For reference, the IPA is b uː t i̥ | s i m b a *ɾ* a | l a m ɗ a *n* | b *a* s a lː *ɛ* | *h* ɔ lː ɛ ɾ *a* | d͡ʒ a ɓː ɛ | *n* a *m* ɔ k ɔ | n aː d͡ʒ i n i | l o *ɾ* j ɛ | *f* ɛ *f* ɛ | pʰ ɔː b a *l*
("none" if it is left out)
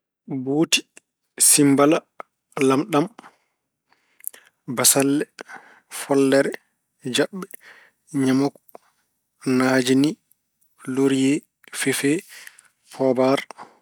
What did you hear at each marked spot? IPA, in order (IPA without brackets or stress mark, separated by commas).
l, m, a, ɛ, f, ɛ, ɲ, m, ɾ, f, f, ɾ